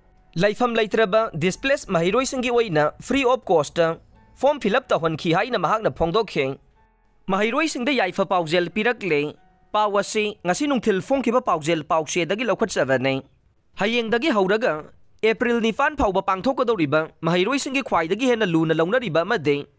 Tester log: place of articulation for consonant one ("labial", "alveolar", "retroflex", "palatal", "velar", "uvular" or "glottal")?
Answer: alveolar